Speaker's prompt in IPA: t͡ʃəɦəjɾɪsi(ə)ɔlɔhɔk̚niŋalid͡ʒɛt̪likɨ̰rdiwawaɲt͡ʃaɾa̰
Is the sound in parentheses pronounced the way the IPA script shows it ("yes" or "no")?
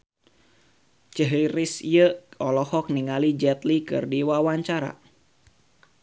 yes